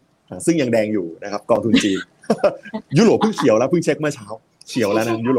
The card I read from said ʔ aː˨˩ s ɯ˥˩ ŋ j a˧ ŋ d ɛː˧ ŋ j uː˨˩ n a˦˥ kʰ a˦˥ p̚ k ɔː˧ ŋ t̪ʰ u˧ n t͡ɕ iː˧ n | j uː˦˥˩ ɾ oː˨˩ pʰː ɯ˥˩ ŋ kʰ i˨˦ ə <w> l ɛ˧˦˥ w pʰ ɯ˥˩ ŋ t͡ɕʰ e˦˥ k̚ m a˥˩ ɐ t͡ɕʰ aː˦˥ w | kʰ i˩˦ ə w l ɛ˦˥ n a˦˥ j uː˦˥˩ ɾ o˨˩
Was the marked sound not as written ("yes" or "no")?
no